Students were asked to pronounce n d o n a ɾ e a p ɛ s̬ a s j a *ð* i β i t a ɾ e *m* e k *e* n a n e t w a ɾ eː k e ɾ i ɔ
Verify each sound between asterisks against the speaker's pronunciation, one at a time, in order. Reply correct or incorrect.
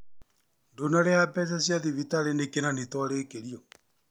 correct, incorrect: n, correct

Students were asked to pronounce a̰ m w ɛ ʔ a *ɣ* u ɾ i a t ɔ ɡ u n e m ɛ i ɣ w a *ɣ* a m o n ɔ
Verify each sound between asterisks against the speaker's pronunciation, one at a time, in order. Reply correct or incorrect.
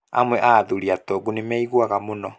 incorrect: ð, correct

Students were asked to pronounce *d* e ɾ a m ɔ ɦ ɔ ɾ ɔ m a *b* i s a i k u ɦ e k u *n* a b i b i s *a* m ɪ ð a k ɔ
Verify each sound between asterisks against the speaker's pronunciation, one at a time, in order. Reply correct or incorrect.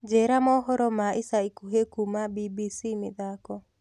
incorrect: d͡ʒ, incorrect: none, incorrect: m, incorrect: i

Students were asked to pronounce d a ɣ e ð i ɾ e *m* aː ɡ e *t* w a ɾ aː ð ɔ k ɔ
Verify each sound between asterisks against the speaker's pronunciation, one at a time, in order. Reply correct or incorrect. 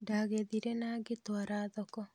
incorrect: n, correct

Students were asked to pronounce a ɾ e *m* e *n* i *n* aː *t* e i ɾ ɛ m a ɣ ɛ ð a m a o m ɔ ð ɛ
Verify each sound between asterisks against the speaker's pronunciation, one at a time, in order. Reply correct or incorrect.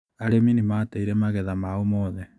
correct, correct, incorrect: m, correct

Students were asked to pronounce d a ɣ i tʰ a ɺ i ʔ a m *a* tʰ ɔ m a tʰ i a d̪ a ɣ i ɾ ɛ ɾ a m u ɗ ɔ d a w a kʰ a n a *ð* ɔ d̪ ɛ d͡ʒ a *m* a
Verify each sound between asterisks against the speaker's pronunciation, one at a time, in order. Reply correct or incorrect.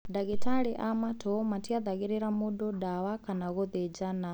correct, incorrect: ɣ, incorrect: n

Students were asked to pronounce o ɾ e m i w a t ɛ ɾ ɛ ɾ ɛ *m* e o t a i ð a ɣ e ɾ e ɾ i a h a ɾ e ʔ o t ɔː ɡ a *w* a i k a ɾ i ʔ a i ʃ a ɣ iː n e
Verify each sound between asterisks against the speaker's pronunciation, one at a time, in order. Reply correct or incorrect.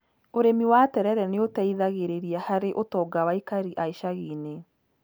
incorrect: n, correct

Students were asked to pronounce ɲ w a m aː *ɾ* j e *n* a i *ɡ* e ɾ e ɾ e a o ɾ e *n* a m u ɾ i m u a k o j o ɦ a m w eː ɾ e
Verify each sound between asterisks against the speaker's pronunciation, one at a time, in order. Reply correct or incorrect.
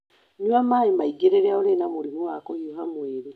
incorrect: none, incorrect: m, correct, correct

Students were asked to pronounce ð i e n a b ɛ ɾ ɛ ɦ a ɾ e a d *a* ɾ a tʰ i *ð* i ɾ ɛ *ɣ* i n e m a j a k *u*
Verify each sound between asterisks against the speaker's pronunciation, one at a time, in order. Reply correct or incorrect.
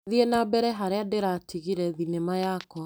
incorrect: e, incorrect: ɣ, incorrect: ð, incorrect: ɔ

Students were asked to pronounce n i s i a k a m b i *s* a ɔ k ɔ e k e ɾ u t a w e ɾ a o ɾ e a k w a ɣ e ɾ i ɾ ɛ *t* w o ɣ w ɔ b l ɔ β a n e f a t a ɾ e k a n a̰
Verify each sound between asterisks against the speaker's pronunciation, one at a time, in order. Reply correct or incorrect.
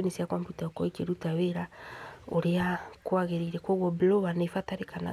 incorrect: t, incorrect: k

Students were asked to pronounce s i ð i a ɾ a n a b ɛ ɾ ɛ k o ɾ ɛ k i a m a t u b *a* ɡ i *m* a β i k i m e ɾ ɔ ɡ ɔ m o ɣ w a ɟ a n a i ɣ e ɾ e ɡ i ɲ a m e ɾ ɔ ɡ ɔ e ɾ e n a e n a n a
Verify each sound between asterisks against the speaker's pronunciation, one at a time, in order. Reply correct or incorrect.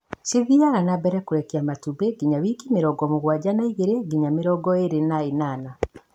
incorrect: e, incorrect: ɲ

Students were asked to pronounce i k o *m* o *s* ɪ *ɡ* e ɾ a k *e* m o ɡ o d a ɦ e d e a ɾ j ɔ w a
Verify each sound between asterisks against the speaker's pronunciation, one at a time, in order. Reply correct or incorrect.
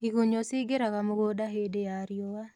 incorrect: ɲ, correct, correct, incorrect: a

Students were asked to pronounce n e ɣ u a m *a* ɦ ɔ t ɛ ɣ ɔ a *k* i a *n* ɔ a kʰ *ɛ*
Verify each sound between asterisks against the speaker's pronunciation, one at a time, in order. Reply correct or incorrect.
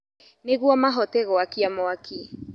correct, correct, incorrect: m, incorrect: i

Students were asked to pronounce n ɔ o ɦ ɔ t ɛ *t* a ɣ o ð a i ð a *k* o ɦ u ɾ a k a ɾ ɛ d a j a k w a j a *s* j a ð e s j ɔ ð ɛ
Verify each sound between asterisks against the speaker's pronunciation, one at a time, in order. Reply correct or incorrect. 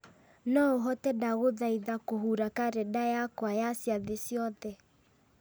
incorrect: d, correct, correct

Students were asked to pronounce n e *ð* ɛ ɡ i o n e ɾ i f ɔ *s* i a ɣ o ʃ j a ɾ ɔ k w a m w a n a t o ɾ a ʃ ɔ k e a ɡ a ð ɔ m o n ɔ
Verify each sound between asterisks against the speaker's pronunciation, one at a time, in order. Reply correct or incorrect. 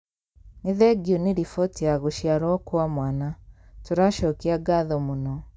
correct, incorrect: t

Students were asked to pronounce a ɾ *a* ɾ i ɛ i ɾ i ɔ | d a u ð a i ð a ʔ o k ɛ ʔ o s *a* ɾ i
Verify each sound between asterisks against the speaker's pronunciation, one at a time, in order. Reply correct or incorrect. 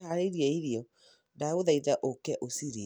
incorrect: e, incorrect: i

